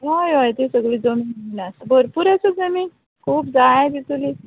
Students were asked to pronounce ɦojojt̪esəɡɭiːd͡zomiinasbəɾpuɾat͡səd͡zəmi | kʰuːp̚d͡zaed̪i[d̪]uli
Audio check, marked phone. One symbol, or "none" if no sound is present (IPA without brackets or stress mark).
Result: t̪